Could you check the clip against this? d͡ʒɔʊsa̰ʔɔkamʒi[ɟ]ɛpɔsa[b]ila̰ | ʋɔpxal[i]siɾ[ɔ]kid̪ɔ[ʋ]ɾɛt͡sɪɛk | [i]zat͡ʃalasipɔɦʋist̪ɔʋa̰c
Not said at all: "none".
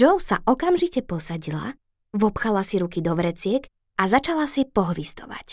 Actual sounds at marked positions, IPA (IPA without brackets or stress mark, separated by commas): c, ɟ, a, u, ʋ, a